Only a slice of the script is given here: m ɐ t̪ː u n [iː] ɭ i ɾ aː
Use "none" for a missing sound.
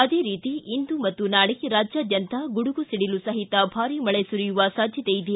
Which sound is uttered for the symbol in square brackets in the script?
aː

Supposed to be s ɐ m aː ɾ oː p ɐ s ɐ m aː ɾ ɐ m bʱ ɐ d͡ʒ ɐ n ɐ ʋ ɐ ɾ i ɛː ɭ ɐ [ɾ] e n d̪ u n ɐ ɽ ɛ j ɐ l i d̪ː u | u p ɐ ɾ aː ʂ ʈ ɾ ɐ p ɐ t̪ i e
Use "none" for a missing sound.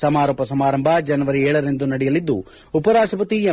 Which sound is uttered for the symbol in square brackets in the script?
ɾ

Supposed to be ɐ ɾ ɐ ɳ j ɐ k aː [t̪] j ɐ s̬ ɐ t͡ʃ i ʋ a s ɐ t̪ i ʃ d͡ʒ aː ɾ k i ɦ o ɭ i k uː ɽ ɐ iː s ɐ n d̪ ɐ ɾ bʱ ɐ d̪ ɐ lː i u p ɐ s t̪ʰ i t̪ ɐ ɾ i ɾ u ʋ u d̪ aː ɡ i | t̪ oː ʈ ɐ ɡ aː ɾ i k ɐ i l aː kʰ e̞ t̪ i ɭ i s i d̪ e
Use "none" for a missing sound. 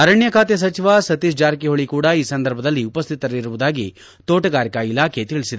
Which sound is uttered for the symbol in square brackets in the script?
t̪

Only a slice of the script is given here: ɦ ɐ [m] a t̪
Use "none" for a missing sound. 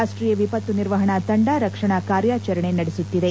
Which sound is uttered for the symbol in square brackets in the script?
ɳ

